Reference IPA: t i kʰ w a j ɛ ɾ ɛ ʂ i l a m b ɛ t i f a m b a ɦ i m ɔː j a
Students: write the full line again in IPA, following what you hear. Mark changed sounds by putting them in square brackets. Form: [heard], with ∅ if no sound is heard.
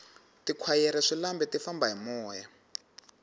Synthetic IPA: t i kʰ w a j ɛ ɾ ɛ ʂ i l a m b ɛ t i f a m b a ɦ i m ɔː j a

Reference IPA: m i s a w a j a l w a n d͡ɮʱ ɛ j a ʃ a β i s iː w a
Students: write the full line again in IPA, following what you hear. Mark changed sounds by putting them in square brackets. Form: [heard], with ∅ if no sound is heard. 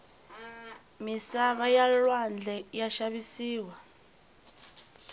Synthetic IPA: m i s a [β] a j a l w a n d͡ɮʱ ɛ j a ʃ a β i s iː w a

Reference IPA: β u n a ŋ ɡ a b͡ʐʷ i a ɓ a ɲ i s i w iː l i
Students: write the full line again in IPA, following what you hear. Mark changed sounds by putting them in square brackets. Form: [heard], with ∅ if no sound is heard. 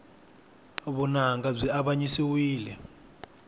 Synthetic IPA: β u n a ŋ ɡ a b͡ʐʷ i a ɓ a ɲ i s i w iː l [ɛ]

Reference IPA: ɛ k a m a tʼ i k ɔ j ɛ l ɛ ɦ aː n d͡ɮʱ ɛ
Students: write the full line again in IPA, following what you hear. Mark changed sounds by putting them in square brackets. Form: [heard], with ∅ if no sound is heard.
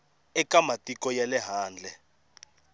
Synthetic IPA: ɛ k a m a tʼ i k ɔ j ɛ l ɛ ɦ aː n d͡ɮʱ ɛ

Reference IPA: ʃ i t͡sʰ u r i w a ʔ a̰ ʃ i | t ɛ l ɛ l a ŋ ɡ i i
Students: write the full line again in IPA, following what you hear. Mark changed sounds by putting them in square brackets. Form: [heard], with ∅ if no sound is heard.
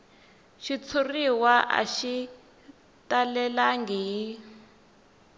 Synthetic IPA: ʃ i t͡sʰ u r i w a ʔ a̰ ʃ i | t [a] l ɛ l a ŋ ɡ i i

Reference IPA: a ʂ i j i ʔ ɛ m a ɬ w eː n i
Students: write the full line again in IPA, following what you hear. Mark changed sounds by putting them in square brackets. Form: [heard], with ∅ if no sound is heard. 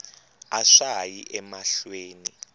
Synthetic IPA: a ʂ [a] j i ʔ ɛ m a ɬ w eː n i

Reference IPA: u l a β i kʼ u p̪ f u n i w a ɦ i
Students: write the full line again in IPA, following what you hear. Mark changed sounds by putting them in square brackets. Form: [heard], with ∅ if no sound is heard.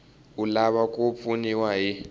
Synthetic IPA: u l a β [a] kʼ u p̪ f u n i w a ɦ i

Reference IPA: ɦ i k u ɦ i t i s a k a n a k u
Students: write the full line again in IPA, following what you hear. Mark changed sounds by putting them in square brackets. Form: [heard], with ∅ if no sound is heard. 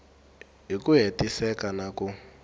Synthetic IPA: ɦ i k u ɦ [e] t i s [ɛ] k a n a k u

